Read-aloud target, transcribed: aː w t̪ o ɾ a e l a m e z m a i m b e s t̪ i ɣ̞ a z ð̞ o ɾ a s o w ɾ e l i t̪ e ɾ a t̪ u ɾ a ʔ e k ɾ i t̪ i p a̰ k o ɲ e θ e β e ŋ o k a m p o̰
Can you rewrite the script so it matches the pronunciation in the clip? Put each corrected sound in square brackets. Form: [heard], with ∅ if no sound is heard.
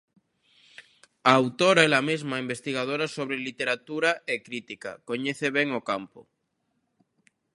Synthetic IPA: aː w t̪ o ɾ a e l a m e z m a i m b e s t̪ i ɣ̞ a [∅] ð̞ o ɾ a s o [β] ɾ e l i t̪ e ɾ a t̪ u ɾ a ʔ e k ɾ i t̪ i [k] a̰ k o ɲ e θ e β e ŋ o k a m p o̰